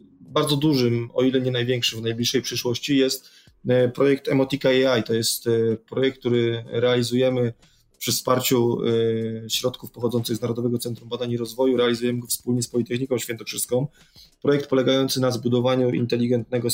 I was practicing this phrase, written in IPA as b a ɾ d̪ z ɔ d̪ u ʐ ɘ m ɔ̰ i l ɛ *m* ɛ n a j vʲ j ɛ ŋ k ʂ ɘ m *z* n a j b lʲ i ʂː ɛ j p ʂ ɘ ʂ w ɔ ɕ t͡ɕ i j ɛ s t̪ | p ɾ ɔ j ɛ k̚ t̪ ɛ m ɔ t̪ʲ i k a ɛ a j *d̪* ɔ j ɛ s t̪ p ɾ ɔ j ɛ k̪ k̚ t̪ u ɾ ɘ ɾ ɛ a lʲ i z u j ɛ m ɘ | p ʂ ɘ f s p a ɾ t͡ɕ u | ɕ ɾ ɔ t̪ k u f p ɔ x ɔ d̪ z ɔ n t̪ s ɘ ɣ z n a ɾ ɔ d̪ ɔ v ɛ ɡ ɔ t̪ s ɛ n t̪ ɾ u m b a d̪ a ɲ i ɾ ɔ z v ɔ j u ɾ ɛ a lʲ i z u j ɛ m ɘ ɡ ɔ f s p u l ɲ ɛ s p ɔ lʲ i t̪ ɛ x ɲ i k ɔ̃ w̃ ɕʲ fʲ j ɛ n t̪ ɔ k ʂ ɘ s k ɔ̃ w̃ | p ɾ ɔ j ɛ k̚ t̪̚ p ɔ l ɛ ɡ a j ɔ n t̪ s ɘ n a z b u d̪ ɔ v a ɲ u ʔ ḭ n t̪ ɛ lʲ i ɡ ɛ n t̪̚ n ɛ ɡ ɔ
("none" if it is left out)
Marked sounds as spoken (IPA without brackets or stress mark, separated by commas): ɲ, v, t̪